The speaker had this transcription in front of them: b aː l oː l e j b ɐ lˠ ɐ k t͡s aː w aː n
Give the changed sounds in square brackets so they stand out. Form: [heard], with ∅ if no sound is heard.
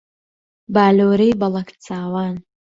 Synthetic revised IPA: b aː l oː [ɾ] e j b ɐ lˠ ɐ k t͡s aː w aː n